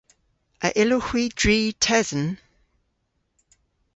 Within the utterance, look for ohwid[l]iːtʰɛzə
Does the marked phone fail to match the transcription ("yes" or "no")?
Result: yes